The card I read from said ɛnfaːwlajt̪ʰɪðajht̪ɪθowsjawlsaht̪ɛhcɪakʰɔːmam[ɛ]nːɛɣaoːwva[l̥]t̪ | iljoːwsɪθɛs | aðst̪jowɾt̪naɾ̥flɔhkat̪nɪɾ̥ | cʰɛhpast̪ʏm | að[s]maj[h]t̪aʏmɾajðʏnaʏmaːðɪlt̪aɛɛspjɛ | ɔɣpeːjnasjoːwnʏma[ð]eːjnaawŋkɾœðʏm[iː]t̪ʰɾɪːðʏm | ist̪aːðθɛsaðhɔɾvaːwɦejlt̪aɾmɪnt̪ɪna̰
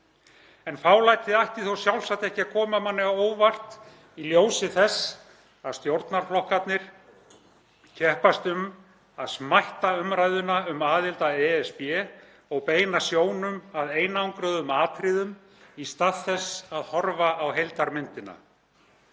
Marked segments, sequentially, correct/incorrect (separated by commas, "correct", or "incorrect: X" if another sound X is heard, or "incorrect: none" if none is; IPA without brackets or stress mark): incorrect: a, incorrect: r̥, correct, correct, correct, incorrect: aː